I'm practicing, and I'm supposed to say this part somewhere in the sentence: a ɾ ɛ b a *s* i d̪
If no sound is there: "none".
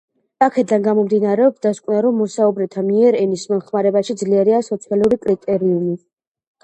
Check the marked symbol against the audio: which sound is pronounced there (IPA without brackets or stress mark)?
ʃ